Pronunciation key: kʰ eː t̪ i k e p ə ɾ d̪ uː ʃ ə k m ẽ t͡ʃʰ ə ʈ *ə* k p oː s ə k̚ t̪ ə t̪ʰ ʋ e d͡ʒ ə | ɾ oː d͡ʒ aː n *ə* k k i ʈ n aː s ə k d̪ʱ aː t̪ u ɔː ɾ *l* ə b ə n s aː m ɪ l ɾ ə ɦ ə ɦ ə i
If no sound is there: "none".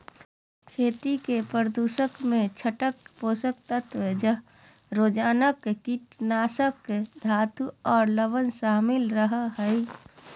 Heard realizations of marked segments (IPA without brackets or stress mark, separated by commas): ə, ə, l